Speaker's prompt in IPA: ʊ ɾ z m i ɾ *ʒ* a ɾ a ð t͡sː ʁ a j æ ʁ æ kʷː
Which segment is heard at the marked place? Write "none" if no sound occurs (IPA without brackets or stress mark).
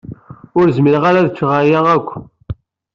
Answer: ʁ